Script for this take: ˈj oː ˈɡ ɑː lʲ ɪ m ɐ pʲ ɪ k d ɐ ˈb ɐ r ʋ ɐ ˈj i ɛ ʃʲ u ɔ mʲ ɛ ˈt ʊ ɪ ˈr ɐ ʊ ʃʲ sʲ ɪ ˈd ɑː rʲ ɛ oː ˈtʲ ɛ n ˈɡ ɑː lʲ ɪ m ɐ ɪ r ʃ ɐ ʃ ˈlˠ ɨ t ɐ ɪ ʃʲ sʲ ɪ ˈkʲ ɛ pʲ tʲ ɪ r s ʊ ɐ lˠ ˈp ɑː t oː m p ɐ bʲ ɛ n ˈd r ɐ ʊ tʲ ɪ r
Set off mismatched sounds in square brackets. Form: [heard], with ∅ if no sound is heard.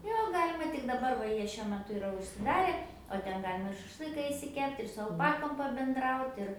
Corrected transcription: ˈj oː ˈɡ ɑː lʲ ɪ m ɐ [tʲ] ɪ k d ɐ ˈb ɐ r ʋ ɐ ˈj i ɛ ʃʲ u ɔ mʲ ɛ ˈt ʊ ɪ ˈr ɐ ʊ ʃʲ sʲ ɪ ˈd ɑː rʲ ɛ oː ˈtʲ ɛ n ˈɡ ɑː lʲ ɪ m ɐ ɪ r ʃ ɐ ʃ ˈlˠ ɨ [k] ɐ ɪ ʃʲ sʲ ɪ ˈkʲ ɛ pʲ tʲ ɪ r s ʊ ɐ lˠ ˈp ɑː [k] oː m p ɐ bʲ ɛ n ˈd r ɐ ʊ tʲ ɪ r